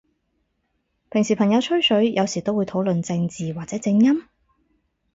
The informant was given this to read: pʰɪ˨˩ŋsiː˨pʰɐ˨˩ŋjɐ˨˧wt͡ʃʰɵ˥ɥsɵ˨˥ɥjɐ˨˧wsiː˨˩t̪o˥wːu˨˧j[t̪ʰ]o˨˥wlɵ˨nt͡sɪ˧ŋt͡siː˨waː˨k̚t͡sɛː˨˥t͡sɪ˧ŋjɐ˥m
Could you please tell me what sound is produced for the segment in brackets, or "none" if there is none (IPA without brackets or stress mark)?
t̪ʰ